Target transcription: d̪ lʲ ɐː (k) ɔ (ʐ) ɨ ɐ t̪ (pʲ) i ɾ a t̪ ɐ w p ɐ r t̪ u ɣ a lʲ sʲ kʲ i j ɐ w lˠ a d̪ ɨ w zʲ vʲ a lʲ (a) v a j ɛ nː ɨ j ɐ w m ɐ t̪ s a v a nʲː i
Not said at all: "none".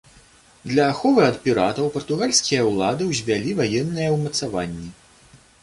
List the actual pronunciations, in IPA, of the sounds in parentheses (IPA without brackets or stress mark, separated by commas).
x, v, pʲ, i